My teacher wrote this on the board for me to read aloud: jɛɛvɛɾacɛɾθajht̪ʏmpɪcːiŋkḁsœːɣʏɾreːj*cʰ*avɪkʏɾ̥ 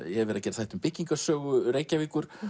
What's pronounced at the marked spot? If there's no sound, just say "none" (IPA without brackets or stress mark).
c